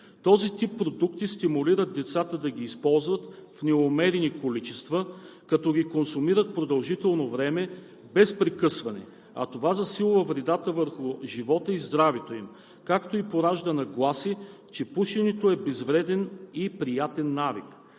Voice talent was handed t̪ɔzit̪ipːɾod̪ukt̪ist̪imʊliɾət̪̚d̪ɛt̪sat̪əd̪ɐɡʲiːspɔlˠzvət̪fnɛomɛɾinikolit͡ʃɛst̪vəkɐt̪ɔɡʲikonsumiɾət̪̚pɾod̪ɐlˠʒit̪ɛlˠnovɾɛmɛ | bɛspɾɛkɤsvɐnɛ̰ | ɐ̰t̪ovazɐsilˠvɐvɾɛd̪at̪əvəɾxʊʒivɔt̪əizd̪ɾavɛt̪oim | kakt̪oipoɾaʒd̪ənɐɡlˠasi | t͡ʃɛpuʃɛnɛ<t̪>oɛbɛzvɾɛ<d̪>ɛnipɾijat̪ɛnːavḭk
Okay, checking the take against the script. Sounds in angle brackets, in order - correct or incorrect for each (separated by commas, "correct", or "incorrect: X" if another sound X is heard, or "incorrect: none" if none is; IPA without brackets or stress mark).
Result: correct, correct